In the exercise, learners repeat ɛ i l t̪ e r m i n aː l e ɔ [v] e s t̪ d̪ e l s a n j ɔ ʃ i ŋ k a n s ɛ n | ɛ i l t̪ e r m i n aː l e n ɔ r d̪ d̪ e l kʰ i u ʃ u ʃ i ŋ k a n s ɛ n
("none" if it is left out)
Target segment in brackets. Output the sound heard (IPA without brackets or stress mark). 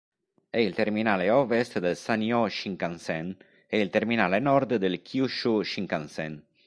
v